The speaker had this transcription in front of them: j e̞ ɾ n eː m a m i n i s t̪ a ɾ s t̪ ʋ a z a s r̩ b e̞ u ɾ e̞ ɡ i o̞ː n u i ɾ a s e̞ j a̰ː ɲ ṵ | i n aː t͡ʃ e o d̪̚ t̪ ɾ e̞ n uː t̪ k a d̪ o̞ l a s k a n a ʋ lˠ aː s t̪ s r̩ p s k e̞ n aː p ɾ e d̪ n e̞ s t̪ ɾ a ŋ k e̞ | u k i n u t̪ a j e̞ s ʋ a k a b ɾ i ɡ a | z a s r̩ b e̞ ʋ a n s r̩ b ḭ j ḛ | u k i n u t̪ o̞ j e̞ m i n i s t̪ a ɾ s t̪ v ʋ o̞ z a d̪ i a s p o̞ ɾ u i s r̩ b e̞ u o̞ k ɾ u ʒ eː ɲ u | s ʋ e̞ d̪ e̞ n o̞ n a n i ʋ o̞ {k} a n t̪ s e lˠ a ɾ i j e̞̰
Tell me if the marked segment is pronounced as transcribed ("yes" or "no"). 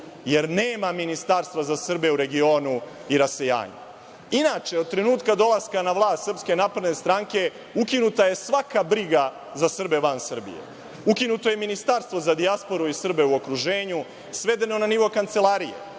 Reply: yes